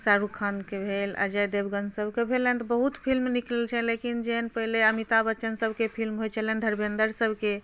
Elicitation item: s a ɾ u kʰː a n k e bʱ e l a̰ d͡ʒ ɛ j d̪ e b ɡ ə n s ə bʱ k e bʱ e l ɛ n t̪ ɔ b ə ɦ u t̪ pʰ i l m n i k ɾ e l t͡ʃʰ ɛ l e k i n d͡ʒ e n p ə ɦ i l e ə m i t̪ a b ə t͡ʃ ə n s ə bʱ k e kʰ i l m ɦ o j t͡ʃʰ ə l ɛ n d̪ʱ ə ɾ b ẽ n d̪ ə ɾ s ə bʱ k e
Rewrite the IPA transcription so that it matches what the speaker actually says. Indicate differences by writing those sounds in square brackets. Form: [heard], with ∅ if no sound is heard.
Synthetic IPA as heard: s a ɾ u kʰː a n k e bʱ e l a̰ d͡ʒ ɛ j d̪ e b ɡ ə n s ə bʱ k e bʱ e l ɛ n t̪ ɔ b ə ɦ u t̪ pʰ i l m n i k [l] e l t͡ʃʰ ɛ l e k i n d͡ʒ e n p ə ɦ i l e ə m i t̪ a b ə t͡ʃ ə n s ə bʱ k e [pʰ] i l m ɦ o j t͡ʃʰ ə l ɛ n d̪ʱ ə ɾ b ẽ n d̪ ə ɾ s ə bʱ k e

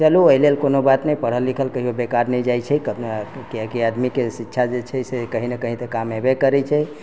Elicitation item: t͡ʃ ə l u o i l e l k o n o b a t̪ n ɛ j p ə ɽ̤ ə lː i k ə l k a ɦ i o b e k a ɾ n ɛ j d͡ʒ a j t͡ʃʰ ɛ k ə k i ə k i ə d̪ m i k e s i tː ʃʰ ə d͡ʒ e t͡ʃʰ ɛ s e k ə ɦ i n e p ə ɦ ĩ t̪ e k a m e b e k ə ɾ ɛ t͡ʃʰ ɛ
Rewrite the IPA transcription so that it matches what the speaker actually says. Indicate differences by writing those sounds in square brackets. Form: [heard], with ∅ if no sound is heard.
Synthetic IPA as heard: t͡ʃ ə l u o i l e l k o n o b a t̪ n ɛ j p ə ɽ̤ ə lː i [kʰ] ə l k [ə] ɦ i o b e k a ɾ n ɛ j d͡ʒ a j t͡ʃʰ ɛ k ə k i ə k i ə d̪ m i k e s i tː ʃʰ [a] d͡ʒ e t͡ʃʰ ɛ s e k ə ɦ i n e [k] ə ɦ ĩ t̪ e k a m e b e k ə ɾ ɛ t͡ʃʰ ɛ

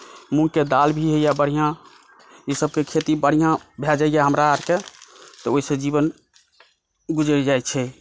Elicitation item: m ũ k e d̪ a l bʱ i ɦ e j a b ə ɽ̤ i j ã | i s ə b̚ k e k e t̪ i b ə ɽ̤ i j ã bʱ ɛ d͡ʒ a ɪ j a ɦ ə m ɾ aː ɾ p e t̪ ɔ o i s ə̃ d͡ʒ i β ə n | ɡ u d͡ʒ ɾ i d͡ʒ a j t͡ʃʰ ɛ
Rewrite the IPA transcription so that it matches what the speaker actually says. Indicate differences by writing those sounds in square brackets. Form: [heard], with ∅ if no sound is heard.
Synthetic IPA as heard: m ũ k e d̪ a l bʱ i ɦ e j a b ə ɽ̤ i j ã | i s ə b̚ k e [kʰ] e t̪ i b ə ɽ̤ i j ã bʱ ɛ d͡ʒ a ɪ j a ɦ ə m ɾ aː ɾ [k] e t̪ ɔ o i s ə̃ d͡ʒ i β ə n | ɡ u d͡ʒ ɾ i d͡ʒ a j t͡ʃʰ ɛ

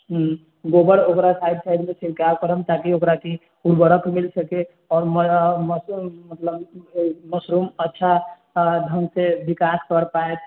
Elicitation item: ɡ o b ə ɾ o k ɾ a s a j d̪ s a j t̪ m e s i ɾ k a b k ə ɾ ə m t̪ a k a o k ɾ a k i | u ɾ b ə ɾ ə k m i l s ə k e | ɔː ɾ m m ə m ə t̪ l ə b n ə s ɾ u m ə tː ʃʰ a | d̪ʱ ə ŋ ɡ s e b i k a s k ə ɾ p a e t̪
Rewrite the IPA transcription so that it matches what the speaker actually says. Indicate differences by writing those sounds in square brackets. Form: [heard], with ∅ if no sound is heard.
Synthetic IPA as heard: ɡ o b ə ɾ o k ɾ a s a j d̪ s a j [d̪] m e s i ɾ k a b k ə ɾ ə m t̪ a k [i] o k ɾ a k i | u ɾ b ə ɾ ə k m i l s ə k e | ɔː ɾ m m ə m ə t̪ l ə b [m] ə s ɾ u m ə tː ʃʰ a | d̪ʱ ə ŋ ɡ s e b i k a s k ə ɾ p a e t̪

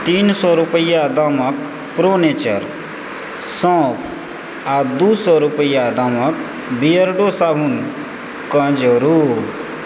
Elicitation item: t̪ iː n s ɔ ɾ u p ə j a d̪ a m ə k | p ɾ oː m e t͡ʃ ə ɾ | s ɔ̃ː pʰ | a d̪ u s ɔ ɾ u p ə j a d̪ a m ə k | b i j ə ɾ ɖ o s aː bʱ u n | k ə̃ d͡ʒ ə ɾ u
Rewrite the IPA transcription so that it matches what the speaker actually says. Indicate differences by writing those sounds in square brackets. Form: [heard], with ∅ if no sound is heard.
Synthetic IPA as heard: t̪ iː n s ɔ ɾ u p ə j a d̪ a m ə k | p ɾ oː [n] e t͡ʃ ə ɾ | s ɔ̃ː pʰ | a d̪ u s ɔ ɾ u p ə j a d̪ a m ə k | b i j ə ɾ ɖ o s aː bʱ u n | k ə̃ d͡ʒ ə ɾ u

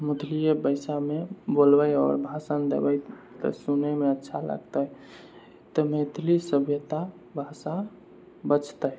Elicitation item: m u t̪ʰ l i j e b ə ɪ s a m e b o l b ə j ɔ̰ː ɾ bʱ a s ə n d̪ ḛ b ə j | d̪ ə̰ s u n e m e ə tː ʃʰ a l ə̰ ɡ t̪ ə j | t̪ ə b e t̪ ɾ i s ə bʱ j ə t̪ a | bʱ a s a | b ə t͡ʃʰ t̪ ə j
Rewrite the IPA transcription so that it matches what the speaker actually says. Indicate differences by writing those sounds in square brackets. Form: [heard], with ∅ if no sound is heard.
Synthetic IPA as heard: m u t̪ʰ l i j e b ə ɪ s a m e b o l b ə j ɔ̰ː ɾ bʱ a s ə n d̪ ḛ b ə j | [t̪] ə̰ s u n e m e ə tː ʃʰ a l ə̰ ɡ t̪ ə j | t̪ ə [m] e t̪ [l] i s ə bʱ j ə t̪ a | bʱ a s a | b ə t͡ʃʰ t̪ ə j

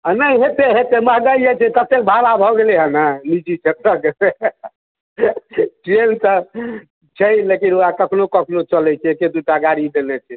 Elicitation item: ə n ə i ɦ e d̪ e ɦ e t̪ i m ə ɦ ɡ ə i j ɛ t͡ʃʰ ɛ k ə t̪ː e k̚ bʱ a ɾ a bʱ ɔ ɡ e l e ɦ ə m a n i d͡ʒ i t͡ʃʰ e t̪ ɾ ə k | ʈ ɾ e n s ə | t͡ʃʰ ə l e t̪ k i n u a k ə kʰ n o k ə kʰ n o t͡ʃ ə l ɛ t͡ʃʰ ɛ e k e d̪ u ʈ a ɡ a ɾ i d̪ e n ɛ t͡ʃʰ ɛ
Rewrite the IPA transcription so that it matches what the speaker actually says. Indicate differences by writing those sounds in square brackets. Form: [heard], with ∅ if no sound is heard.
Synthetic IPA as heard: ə n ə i ɦ e [t̪] e ɦ e t̪ [e] m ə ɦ ɡ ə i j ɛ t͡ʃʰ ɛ k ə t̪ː e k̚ bʱ a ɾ a bʱ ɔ ɡ e l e ɦ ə [n] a n i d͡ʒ i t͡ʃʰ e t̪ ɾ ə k | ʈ ɾ e n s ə | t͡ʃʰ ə l e [∅] k i n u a k ə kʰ n o k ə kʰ n o t͡ʃ ə l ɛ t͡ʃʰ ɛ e k e d̪ u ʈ a ɡ a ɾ i d̪ e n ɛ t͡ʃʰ ɛ

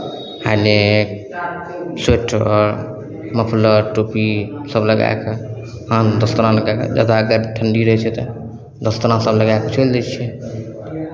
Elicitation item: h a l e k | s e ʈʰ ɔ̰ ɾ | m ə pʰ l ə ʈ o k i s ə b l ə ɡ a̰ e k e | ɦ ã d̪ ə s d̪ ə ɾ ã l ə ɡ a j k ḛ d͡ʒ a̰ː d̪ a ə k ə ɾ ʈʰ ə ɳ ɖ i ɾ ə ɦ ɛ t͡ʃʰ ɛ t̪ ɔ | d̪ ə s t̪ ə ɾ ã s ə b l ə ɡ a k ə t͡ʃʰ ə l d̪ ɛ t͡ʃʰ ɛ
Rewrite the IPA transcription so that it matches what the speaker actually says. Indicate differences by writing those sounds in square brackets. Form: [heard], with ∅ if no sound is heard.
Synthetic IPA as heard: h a l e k | s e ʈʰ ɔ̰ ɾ | m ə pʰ l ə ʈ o [p] i s ə b l ə ɡ a̰ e k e | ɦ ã d̪ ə s [t̪] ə ɾ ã l ə ɡ a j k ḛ d͡ʒ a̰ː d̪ a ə [ɡ] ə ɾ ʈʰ ə ɳ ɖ i ɾ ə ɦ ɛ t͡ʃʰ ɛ t̪ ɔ | d̪ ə s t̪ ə ɾ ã s ə b l ə ɡ a k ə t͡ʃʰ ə l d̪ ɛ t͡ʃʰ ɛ

